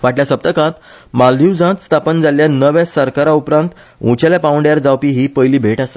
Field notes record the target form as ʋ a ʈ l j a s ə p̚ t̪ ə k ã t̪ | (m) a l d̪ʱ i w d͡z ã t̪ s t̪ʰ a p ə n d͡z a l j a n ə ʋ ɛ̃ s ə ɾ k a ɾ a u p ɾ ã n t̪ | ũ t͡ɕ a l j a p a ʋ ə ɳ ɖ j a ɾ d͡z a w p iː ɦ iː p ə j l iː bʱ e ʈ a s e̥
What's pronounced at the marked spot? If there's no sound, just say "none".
m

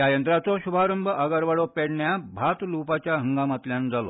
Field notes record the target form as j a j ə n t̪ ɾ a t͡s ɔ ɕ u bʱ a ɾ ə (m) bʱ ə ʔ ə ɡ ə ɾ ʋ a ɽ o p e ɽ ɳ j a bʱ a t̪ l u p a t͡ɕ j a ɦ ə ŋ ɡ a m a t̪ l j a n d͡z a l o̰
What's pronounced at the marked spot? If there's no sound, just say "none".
m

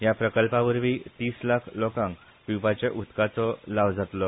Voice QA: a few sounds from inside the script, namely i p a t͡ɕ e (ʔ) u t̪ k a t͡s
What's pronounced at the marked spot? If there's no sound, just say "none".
ʔ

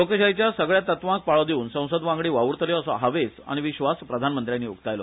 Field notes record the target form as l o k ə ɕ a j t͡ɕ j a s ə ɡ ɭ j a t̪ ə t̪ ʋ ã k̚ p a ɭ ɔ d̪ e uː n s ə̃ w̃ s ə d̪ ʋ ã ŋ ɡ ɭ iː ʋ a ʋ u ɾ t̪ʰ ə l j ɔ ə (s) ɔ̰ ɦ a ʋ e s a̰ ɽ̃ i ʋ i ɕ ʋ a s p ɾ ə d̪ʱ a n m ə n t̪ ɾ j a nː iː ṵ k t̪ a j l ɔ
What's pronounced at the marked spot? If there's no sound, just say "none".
s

